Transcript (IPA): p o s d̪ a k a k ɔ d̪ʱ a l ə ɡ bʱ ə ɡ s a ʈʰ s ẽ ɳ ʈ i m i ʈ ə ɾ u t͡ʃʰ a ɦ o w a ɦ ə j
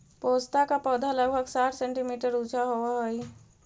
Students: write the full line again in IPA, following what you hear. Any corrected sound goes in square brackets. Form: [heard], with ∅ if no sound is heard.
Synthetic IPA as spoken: p o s [t̪] a k a [p] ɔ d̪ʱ a l ə ɡ bʱ ə ɡ s a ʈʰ s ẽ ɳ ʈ i m i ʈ ə ɾ u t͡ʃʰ a ɦ o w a ɦ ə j